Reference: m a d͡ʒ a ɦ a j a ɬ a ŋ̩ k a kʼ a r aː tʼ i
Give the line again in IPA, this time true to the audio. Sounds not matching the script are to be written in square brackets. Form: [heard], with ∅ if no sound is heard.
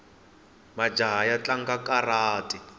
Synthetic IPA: m a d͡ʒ a ɦ a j a [t͡ɬ] a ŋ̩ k a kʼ a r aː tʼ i